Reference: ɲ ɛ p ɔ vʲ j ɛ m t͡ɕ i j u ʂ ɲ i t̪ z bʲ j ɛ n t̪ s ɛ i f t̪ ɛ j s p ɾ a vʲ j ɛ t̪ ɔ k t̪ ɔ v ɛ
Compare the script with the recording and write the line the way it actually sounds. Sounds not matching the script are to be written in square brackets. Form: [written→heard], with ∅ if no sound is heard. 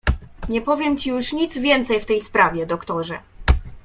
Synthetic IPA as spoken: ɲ ɛ p ɔ vʲ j ɛ m t͡ɕ i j u ʂ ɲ i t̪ z [bʲ→vʲ] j ɛ n t̪ s ɛ [i→j] f t̪ ɛ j s p ɾ a vʲ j ɛ [t̪→d̪] ɔ k t̪ ɔ [v→ʐ] ɛ

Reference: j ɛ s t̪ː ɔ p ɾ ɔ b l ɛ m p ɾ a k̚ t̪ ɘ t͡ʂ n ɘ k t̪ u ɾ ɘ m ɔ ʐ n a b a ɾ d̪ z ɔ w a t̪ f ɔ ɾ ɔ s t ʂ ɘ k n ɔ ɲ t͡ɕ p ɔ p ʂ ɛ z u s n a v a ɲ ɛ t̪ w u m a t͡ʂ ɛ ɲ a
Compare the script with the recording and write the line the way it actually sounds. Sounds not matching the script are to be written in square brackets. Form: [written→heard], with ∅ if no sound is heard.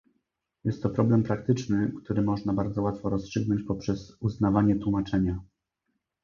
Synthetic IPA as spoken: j ɛ s t̪ː ɔ p ɾ ɔ b l ɛ m p ɾ a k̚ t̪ ɘ t͡ʂ n ɘ k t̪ u ɾ ɘ m ɔ ʐ n a b a ɾ d̪ z ɔ w a t̪ f ɔ ɾ ɔ s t ʂ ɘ [k→ɡ] n ɔ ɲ t͡ɕ p ɔ p ʂ ɛ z u [s→z] n a v a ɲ ɛ t̪ w u m a t͡ʂ ɛ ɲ a

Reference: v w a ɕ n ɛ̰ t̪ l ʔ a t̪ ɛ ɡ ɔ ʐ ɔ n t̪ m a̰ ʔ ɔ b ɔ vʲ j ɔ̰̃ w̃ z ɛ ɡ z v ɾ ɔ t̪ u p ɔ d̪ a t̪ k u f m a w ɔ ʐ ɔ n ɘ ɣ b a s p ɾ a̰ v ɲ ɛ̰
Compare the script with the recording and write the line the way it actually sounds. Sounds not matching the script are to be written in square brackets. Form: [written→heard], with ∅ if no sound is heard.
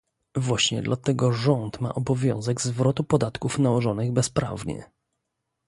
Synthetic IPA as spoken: v w a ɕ [n→ɲ] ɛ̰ [t̪→d̪] l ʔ a t̪ ɛ ɡ ɔ ʐ ɔ n t̪ m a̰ ʔ ɔ b ɔ vʲ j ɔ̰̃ w̃ z ɛ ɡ z v ɾ ɔ t̪ u p ɔ d̪ a t̪ k u f [m→n] a w ɔ ʐ ɔ n ɘ ɣ b [a→ɛ] s p ɾ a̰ v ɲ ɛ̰

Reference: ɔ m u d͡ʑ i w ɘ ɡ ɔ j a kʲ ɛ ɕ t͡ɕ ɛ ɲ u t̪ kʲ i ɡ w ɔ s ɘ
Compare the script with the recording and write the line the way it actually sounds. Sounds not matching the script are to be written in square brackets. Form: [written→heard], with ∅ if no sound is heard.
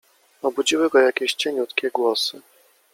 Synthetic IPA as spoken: ɔ [m→b] u d͡ʑ i w ɘ ɡ ɔ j a kʲ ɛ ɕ t͡ɕ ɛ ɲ u t̪ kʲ [i→ɛ] ɡ w ɔ s ɘ

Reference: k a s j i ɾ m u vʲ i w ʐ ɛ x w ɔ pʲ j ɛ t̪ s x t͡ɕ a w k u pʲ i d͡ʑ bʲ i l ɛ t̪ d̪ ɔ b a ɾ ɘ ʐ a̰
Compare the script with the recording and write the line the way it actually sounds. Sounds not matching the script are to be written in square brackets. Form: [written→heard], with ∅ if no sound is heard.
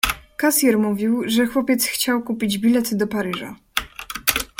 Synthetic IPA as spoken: k a s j [i→ɛ] ɾ m u vʲ i w ʐ ɛ x w ɔ pʲ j ɛ t̪ s x t͡ɕ a w k u pʲ i d͡ʑ bʲ i l ɛ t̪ d̪ ɔ [b→p] a ɾ ɘ ʐ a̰

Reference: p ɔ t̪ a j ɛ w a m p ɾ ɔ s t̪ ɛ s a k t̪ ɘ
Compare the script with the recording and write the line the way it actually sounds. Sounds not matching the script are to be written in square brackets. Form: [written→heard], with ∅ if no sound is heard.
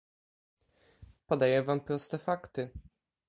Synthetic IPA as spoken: p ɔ [t̪→d̪] a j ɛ [w→v] a m p ɾ ɔ s t̪ ɛ [s→f] a k t̪ ɘ

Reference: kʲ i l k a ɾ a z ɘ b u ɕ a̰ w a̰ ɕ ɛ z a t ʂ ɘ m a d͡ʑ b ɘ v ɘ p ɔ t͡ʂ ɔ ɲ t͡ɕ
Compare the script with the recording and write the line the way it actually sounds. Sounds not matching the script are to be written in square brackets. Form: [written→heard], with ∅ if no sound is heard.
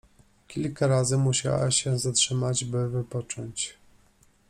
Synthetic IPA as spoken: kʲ i l k a ɾ a z ɘ [b→m] u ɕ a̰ w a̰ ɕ ɛ z a t ʂ ɘ m a d͡ʑ b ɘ v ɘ p ɔ t͡ʂ ɔ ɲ t͡ɕ

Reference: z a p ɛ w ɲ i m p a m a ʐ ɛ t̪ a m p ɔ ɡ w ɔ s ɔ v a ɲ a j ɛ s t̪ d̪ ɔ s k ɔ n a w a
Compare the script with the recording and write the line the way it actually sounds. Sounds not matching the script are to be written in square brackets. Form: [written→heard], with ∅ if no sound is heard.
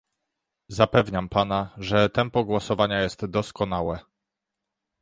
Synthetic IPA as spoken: z a p ɛ [w→v] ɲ [i→a] m p a [m→n] a ʐ ɛ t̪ [a→ɛ] m p ɔ ɡ w ɔ s ɔ v a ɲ a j ɛ s t̪ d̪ ɔ s k ɔ n a w [a→ɛ]

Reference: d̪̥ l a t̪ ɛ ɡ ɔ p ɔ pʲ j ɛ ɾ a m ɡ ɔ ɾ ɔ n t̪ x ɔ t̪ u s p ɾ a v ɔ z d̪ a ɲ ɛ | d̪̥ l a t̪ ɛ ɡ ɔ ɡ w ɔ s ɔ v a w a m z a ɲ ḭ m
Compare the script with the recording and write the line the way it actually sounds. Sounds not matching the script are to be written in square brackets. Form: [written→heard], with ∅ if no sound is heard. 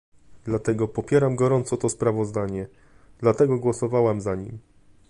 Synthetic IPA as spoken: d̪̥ l a t̪ ɛ ɡ ɔ p ɔ pʲ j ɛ ɾ a m ɡ ɔ ɾ ɔ n t̪ [x→s] ɔ t̪ [u→ɔ] s p ɾ a v ɔ z d̪ a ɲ ɛ | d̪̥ l a t̪ ɛ ɡ ɔ ɡ w ɔ s ɔ v a w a m z a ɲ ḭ m

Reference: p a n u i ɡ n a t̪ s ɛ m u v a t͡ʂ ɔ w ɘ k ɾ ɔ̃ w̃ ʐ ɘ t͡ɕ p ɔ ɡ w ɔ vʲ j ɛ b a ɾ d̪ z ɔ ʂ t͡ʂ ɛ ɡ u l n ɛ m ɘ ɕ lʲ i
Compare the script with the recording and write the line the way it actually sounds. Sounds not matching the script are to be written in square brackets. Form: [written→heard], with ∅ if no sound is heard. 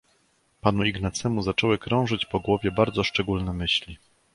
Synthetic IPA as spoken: p a n u i ɡ n a t̪ s ɛ m u [v→z] a t͡ʂ ɔ w ɘ k ɾ ɔ̃ w̃ ʐ ɘ t͡ɕ p ɔ ɡ w ɔ vʲ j ɛ b a ɾ d̪ z ɔ ʂ t͡ʂ ɛ ɡ u l n ɛ m ɘ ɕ lʲ i

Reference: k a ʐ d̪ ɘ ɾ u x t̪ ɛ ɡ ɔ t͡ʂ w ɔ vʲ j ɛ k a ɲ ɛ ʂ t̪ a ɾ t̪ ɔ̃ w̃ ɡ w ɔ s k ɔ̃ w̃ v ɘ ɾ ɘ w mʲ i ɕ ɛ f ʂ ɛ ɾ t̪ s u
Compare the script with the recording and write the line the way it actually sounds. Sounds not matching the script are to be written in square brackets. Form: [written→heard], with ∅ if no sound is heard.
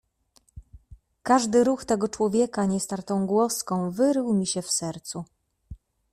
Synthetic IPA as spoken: k a ʐ d̪ ɘ ɾ u x t̪ ɛ ɡ ɔ t͡ʂ w ɔ vʲ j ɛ k a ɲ ɛ [ʂ→s] t̪ a ɾ t̪ ɔ̃ w̃ ɡ w ɔ s k ɔ̃ w̃ v ɘ ɾ ɘ w mʲ i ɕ ɛ f [ʂ→s] ɛ ɾ t̪ s u

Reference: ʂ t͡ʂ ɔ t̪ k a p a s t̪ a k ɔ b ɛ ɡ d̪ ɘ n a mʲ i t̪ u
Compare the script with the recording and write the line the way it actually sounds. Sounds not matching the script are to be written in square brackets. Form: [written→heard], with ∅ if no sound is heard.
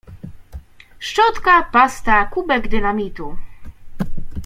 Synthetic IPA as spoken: ʂ t͡ʂ ɔ t̪ k a p a s t̪ a k [ɔ→u] b ɛ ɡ d̪ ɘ n a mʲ i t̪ u

